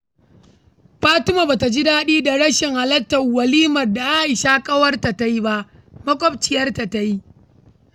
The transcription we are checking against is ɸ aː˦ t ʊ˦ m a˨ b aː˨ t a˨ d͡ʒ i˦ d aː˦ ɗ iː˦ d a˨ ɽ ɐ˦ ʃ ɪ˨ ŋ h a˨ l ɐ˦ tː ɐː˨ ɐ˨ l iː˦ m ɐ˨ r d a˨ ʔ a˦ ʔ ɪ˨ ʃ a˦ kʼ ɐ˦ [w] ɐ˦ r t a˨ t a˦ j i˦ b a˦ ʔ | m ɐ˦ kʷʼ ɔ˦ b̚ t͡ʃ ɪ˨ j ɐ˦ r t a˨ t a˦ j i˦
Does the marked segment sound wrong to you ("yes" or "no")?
no